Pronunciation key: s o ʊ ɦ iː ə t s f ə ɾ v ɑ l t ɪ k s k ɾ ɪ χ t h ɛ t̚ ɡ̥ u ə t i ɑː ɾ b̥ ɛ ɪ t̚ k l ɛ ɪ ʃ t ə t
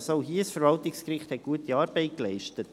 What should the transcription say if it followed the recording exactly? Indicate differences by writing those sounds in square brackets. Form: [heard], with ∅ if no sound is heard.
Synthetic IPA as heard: s o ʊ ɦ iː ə [∅] s f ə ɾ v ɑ l t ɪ k s k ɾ ɪ χ t h ɛ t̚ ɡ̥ u ə t i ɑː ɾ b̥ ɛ ɪ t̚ k l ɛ ɪ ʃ t ə t